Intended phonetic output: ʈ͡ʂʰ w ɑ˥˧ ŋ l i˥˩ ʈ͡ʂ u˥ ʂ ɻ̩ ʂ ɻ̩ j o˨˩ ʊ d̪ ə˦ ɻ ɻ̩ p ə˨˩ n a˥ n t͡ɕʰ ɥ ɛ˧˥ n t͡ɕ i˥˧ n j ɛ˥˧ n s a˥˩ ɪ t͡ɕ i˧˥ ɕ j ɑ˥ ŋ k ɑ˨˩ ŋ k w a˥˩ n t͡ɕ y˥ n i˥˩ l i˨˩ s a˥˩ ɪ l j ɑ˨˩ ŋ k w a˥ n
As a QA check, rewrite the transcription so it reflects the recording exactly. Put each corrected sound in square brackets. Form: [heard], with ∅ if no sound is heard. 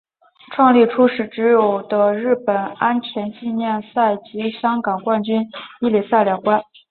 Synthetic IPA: ʈ͡ʂʰ w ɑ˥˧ ŋ l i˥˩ [ʈ͡ʂʰ] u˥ ʂ ɻ̩ [ʈ͡ʂ] ɻ̩ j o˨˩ ʊ d̪ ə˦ ɻ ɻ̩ p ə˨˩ n a˥ n t͡ɕʰ ɥ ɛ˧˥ n t͡ɕ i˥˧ n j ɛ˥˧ n s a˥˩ ɪ t͡ɕ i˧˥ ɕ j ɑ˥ ŋ k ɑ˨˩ ŋ k w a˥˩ n t͡ɕ y˥ n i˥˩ l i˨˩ s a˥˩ ɪ l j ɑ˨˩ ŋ k w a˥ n